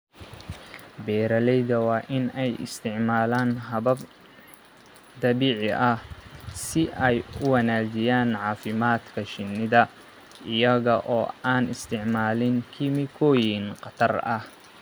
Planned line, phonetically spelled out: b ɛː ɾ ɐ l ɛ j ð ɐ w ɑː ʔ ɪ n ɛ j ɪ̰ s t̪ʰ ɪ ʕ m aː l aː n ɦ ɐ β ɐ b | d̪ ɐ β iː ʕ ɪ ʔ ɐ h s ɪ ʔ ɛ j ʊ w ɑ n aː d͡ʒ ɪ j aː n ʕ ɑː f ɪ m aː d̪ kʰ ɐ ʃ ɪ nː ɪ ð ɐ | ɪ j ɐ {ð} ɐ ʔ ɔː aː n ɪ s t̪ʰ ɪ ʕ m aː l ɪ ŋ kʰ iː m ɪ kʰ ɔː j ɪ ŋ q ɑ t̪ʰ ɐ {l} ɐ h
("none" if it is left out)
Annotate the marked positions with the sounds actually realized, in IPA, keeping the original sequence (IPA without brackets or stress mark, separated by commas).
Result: ɣ, r